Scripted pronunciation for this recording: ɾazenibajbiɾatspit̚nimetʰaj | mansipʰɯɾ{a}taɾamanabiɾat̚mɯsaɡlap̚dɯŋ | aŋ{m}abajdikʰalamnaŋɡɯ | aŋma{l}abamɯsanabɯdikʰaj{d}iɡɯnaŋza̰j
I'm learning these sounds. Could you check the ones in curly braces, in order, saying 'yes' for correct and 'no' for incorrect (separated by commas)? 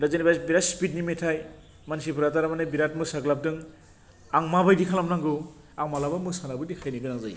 yes, yes, yes, no